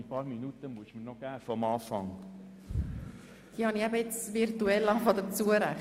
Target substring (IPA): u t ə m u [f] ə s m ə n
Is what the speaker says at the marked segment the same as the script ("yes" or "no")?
no